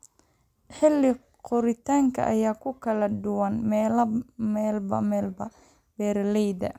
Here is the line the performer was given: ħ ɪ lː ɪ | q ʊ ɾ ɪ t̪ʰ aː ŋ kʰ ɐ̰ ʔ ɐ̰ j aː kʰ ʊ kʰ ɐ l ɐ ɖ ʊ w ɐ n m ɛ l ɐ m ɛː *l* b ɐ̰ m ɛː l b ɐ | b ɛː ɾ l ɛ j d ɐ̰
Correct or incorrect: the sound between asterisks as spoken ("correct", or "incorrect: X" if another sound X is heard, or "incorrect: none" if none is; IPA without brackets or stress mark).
correct